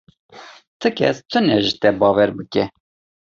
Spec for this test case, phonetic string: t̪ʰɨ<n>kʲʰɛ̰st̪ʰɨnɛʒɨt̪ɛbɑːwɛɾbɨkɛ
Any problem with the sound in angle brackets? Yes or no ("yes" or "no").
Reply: yes